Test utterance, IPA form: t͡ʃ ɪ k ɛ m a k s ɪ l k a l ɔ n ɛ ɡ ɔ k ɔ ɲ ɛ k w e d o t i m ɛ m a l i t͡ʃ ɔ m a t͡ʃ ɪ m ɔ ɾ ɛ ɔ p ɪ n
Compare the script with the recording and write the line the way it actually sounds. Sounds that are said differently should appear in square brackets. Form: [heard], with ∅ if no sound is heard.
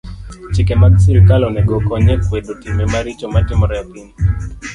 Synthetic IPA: t͡ʃ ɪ k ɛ m a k s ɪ l k a l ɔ n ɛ ɡ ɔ k ɔ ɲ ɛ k w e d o t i m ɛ m a [ɾ] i t͡ʃ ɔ m a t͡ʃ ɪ m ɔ ɾ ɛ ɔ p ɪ n